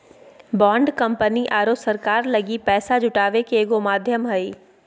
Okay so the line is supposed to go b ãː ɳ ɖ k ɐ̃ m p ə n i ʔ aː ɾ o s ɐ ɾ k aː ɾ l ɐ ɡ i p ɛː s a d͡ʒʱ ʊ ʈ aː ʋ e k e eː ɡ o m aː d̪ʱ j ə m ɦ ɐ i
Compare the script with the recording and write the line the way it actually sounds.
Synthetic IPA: b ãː ɳ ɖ k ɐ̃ m p ə n i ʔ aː ɾ o s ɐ ɾ k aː ɾ l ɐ ɡ i p ɛː s a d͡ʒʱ ʊ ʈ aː ʋ e k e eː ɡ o m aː d̪ʱ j ə m ɦ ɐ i